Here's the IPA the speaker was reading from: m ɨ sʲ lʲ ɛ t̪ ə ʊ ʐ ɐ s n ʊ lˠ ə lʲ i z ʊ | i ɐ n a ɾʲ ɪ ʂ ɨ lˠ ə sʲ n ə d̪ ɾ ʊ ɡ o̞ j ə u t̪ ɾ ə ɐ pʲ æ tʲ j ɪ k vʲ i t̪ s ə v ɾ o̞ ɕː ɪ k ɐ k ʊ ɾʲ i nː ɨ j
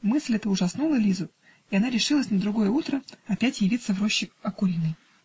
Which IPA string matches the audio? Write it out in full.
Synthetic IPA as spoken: m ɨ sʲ lʲ ɛ t̪ ə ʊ ʐ ɐ s n u lˠ ə lʲ i z ʊ | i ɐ n a ɾʲ ɪ ʂ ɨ lˠ ə sʲ n ə d̪ ɾ ʊ ɡ o̞ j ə u t̪ ɾ ə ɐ pʲ æ tʲ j ɪ vʲ i t̪ s ə v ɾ o̞ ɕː ɪ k ɐ k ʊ ɾʲ i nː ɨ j

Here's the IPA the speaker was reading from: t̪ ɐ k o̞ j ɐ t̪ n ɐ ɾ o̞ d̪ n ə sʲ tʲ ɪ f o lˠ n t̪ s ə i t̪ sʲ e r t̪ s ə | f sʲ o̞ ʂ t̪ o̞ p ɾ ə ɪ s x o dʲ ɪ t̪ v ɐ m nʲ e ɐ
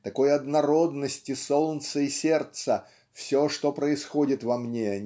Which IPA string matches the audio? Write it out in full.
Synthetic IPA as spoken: t̪ ɐ k o̞ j ɐ d̪ n ɐ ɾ o̞ d̪ n ə sʲ tʲ ɪ s o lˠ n t̪ s ə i sʲ e r t̪ s ə | f sʲ o̞ ʂ t̪ o̞ p ɾ ə ɪ s x o dʲ ɪ t̪ v ɐ m nʲ e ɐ

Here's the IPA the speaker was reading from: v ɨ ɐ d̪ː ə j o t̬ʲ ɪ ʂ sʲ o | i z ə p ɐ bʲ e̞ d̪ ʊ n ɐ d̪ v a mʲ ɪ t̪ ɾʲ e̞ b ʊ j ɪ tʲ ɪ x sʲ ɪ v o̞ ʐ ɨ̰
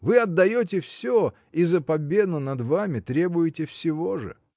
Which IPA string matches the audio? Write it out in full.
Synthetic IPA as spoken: v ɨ ɐ d̪ː ɐ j o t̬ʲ ɪ f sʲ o | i z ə p ɐ bʲ e̞ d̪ ʊ n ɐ d̪ v a mʲ ɪ t̪ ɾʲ e̞ b ʊ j ɪ tʲ ɪ f sʲ ɪ v o̞ ʐ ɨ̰

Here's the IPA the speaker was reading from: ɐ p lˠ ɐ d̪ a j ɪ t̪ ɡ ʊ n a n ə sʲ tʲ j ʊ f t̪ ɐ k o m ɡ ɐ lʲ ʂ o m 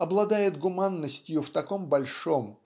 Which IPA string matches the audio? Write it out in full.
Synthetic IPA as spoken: ɐ b lˠ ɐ d̪ a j ɪ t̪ ɡ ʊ m a nː ə sʲ tʲ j ʊ f t̪ ɐ k o m b ɐ lʲ ʂ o m

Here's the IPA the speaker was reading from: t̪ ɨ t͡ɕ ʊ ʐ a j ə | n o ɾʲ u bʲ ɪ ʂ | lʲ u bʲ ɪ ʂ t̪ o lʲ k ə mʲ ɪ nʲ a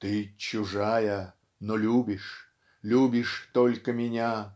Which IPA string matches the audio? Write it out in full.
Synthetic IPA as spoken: t̪ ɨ t͡ɕ ʊ ʐ a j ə | n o lʲ u bʲ ɪ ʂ | lʲ u bʲ ɪ ʂ t̪ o lʲ k ə mʲ ɪ nʲ a

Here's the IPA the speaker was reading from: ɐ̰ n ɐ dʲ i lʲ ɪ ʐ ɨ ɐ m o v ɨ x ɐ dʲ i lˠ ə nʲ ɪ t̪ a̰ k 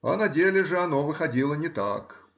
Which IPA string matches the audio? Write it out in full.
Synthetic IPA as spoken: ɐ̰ n ɐ dʲ e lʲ ɪ ʐ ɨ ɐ n o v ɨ x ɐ dʲ i lˠ ə nʲ ɪ t̪ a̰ k

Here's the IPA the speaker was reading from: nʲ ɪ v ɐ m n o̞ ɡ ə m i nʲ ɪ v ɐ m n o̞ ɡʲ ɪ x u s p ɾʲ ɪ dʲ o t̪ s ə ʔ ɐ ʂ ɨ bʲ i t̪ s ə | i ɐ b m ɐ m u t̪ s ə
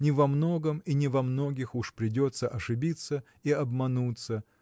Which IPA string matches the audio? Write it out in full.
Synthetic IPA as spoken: nʲ ɪ v ɐ m n o̞ ɡ ə m i nʲ ɪ v ɐ m n o̞ ɡʲ ɪ x u ʂ p ɾʲ ɪ dʲ o t̪ s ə ʔ ɐ ʂ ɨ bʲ i t̪ s ə | i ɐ b m ɐ n u t̪ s ə

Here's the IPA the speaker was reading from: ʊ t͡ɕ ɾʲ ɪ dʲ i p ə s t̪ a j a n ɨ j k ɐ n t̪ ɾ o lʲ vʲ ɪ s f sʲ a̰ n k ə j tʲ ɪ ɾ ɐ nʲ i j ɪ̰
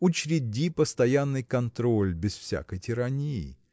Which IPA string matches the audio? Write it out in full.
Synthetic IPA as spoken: ʊ t͡ɕ ɾʲ ɪ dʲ i p ə s t̪ ɐ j a nː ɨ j k ɐ n t̪ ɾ o lʲ bʲ ɪ s f sʲ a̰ k ə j tʲ ɪ ɾ ɐ nʲ i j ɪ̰

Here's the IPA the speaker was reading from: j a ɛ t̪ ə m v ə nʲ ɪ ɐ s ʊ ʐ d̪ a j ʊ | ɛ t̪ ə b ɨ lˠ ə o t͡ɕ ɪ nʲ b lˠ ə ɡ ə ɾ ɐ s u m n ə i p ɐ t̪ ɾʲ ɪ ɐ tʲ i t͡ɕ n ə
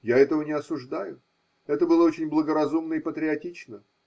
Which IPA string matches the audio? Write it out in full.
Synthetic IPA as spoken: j a ɛ t̪ ə v ə nʲ ɪ ɐ s ʊ ʐ d̪ a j ʊ | ɛ t̪ ə b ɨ lˠ ə o t͡ɕ ɪ nʲ b lˠ ə ɡ ə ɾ ɐ z u m n ə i p ə t̪ ɾʲ ɪ ɐ tʲ i t͡ɕ n ə

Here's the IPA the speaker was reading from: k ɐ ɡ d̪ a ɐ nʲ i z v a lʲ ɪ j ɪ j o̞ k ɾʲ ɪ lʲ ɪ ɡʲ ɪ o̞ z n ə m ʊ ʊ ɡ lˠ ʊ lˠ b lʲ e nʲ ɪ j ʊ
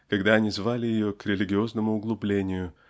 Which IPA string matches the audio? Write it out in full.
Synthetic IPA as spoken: k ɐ ɡ d̪ a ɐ nʲ i z v a lʲ ɪ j ɪ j o̞ k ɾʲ ɪ lʲ ɪ ɡʲ ɪ o̞ z n ə m ʊ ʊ ɡ lˠ ʊ b lʲ e nʲ ɪ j ʊ

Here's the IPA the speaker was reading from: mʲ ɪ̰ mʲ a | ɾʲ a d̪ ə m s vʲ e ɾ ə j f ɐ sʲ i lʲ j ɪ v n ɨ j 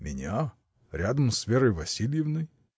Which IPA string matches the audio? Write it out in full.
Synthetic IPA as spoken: mʲ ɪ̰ nʲ a | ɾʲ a d̪ ə m s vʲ e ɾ ə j v ɐ sʲ i lʲ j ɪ v n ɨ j

